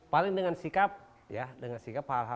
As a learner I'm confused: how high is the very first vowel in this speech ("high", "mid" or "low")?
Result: low